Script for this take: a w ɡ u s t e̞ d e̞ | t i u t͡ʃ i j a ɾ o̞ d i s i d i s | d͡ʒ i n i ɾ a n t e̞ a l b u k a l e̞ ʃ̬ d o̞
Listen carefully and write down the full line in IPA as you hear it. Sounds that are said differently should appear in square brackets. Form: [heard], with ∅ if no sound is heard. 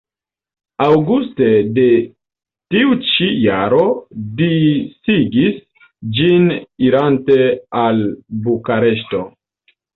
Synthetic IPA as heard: a w ɡ u s t e̞ d e̞ | t i u t͡ʃ i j a ɾ o̞ d i s i [ɡ] i s | d͡ʒ i n i ɾ a n t e̞ a l b u k a [ɾ] e̞ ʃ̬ [t] o̞